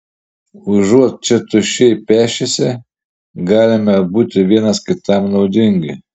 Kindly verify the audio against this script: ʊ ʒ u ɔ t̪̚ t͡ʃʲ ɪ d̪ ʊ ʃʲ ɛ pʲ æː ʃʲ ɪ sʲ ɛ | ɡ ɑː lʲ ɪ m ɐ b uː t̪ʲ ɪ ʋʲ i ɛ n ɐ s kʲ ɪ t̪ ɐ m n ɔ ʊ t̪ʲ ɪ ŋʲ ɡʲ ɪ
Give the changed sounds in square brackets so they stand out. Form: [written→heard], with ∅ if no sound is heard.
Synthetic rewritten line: ʊ ʒ u ɔ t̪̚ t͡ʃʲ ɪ [d̪→t̪] ʊ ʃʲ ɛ pʲ æː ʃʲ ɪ sʲ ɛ | ɡ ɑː lʲ ɪ m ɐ b uː t̪ʲ ɪ ʋʲ i ɛ n ɐ s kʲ ɪ t̪ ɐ m n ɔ ʊ [t̪ʲ→d̪ʲ] ɪ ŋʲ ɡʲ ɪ